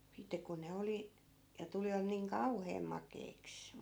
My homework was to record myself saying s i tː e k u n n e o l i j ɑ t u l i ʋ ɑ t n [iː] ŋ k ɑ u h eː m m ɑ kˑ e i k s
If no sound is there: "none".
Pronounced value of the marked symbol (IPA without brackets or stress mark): iː